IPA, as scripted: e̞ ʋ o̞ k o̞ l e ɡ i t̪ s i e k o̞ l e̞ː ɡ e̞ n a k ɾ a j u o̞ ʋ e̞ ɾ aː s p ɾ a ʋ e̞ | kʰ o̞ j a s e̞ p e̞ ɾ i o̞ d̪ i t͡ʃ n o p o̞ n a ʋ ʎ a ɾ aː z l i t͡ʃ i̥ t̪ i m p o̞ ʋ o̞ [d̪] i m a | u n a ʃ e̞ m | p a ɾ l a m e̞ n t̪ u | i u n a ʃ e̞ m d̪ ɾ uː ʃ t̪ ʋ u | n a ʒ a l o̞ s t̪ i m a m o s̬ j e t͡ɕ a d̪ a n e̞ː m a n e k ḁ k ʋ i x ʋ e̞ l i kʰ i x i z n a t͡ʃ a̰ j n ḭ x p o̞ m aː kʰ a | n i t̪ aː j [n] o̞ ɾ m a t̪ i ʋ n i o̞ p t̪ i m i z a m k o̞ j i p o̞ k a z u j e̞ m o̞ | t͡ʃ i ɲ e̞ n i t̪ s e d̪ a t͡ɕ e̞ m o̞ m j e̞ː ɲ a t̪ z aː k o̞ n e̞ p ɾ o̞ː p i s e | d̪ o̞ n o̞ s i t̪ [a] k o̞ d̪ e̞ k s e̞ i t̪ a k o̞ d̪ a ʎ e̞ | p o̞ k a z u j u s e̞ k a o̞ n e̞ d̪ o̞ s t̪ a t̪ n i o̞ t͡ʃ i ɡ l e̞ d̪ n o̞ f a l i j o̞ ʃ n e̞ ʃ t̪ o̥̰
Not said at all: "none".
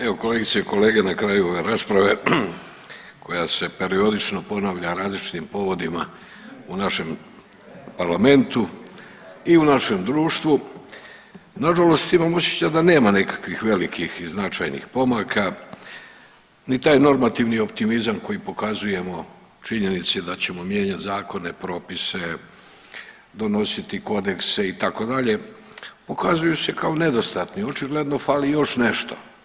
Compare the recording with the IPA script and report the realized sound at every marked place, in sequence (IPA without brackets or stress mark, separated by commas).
d̪, n, i